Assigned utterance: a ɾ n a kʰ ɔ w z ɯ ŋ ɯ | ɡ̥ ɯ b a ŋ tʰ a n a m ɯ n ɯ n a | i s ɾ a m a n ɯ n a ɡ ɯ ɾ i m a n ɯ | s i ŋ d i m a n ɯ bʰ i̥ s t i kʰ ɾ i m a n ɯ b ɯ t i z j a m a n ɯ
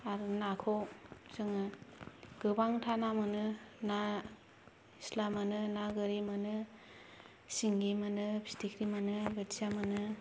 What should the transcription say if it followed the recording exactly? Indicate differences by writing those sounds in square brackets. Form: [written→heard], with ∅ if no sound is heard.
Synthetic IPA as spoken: a ɾ n a kʰ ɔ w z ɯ ŋ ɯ | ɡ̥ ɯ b a ŋ tʰ a n a m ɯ n ɯ n a | i s [ɾ→l] a m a n ɯ n a ɡ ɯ ɾ i m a n ɯ | s i ŋ [d→ɡ] i m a n ɯ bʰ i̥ s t i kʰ ɾ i m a n ɯ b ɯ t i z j a m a n ɯ